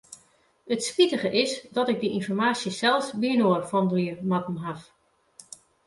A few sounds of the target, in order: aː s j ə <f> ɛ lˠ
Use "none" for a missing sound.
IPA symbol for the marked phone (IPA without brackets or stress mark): s